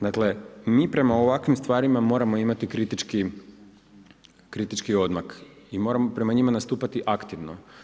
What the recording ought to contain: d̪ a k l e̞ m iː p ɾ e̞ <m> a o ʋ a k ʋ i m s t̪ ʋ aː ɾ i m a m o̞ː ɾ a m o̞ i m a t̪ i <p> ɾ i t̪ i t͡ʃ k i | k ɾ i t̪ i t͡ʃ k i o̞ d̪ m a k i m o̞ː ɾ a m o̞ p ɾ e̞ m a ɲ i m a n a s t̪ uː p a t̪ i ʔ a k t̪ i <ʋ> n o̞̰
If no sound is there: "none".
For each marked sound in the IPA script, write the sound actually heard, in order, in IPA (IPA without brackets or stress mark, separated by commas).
m, k, ʋ